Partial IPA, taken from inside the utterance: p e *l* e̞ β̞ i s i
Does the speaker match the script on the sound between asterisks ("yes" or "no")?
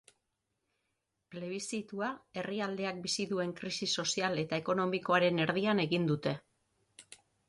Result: yes